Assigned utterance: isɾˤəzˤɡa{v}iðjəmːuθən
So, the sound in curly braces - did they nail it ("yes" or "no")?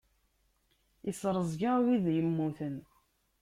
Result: no